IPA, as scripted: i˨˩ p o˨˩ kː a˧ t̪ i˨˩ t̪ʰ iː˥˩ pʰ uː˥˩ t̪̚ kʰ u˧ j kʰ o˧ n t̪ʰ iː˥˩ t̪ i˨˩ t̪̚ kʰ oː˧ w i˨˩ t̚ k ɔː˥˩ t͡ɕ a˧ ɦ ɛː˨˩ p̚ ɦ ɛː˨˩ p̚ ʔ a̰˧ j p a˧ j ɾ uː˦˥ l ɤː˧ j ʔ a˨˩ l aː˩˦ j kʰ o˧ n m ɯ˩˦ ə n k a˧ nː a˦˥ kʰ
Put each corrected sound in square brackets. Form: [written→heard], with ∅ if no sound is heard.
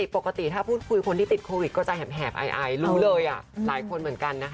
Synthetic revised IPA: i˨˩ p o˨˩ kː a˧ t̪ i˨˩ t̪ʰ [iː˥˩→aː˥˩] pʰ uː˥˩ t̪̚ kʰ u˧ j kʰ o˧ n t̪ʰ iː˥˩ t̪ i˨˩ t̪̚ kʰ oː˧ w i˨˩ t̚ k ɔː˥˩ t͡ɕ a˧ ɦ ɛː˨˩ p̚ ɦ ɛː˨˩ p̚ ʔ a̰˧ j [p→ʔ] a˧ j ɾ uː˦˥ l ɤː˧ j ʔ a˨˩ l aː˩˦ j kʰ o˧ n m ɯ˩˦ ə n k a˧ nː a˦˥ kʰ